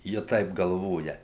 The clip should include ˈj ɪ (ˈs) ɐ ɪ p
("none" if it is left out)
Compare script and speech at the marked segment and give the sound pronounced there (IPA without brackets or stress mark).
t